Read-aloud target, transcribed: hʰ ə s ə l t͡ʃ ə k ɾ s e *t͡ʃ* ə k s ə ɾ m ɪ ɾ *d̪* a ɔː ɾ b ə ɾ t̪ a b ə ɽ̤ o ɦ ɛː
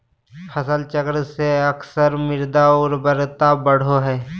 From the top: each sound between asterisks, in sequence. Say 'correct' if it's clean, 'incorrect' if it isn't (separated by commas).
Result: incorrect, correct